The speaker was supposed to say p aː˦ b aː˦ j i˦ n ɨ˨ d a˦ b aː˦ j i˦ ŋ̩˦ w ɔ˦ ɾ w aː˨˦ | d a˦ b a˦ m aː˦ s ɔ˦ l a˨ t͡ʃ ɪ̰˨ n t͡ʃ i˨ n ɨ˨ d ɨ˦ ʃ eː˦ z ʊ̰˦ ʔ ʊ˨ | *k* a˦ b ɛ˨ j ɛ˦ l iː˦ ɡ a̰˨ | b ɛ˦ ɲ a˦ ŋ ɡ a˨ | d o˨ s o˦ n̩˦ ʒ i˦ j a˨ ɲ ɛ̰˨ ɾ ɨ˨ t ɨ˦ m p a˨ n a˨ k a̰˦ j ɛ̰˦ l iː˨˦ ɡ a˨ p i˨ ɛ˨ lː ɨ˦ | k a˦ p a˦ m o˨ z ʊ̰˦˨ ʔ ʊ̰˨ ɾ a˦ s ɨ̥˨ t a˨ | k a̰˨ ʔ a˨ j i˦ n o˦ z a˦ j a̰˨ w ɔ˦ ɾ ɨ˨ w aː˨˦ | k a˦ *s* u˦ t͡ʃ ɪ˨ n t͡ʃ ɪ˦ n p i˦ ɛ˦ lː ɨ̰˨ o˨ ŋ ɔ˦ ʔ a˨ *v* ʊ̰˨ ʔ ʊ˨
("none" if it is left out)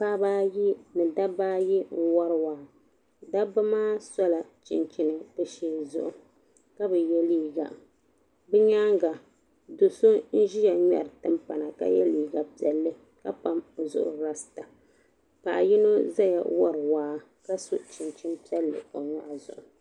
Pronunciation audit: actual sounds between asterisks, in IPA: k, s, z

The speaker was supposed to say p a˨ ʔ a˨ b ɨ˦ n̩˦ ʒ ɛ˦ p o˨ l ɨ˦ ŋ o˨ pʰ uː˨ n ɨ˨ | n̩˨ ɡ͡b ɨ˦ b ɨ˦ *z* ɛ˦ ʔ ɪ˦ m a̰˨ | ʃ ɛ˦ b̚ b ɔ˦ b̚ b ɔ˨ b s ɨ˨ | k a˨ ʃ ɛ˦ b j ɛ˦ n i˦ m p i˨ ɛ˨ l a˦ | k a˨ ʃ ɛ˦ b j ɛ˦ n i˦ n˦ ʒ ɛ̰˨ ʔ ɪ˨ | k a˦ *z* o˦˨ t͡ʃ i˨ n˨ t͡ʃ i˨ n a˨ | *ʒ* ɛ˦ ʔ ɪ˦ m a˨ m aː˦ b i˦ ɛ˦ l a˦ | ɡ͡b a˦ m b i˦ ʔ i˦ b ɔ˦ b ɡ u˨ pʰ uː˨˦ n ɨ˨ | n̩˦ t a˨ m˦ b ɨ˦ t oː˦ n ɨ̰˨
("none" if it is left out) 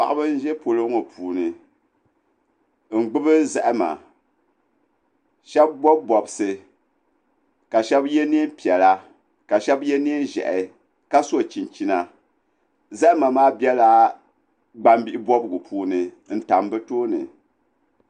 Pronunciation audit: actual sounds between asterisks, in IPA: z, s, z

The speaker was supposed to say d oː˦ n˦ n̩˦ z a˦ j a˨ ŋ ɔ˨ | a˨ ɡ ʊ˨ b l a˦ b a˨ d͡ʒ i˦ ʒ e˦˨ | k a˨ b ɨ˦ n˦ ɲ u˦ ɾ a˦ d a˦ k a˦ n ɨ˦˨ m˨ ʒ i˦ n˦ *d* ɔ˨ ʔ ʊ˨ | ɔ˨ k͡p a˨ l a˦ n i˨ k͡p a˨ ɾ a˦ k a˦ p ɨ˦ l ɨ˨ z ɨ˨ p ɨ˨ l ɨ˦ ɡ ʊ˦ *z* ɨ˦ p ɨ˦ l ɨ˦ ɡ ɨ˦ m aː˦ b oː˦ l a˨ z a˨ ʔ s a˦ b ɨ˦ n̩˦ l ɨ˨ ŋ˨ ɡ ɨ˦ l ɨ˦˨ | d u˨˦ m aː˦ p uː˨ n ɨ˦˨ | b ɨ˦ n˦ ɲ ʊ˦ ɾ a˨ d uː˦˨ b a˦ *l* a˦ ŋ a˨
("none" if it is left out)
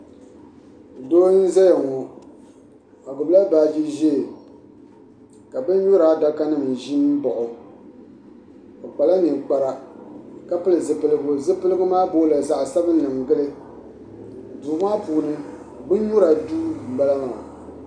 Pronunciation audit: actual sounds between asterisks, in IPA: b, z, l

